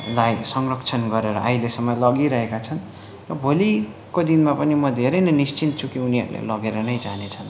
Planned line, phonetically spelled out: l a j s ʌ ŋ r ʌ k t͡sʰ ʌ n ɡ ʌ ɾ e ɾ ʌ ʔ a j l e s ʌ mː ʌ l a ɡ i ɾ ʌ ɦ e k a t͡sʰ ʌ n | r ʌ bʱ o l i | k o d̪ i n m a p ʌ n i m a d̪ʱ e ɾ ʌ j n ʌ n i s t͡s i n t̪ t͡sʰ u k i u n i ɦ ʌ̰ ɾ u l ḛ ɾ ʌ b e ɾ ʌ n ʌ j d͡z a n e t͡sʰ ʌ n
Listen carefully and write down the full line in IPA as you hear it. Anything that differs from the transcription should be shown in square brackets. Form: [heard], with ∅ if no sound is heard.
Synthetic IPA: l a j s ʌ ŋ r ʌ k t͡sʰ ʌ n ɡ ʌ ɾ e ɾ ʌ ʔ a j l e s ʌ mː ʌ l [ʌ] ɡ i ɾ ʌ ɦ e k a t͡sʰ ʌ n | r ʌ bʱ o l i | k o d̪ i n m a p ʌ n i m [ʌ] d̪ʱ e ɾ ʌ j n ʌ n i s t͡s i n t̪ t͡sʰ u k i u n i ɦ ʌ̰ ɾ u l ḛ [l] ʌ [ɡ] e ɾ ʌ n ʌ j d͡z a n e t͡sʰ ʌ n